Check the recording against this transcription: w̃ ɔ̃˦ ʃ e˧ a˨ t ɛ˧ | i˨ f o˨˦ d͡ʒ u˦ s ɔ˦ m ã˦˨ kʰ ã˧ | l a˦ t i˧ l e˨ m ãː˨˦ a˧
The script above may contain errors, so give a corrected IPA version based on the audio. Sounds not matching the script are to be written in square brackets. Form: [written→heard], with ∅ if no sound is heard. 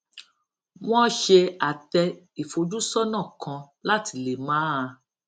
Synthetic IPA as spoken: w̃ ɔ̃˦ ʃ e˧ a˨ t ɛ˧ | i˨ f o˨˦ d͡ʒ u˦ s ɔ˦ [m→n] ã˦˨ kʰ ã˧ | l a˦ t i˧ l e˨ m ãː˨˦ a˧